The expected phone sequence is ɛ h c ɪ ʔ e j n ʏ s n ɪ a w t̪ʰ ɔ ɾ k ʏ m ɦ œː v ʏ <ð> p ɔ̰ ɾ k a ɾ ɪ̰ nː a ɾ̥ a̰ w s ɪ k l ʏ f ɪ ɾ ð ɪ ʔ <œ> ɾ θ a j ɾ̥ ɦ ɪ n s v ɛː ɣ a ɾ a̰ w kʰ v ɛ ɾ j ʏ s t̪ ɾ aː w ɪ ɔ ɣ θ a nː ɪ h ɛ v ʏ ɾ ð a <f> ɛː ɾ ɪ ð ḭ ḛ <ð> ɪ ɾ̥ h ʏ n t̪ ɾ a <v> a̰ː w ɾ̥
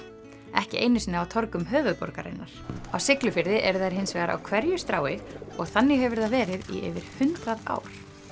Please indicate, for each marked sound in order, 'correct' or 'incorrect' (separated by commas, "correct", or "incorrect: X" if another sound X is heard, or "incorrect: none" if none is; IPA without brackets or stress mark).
correct, incorrect: ɛ, incorrect: v, incorrect: v, incorrect: ð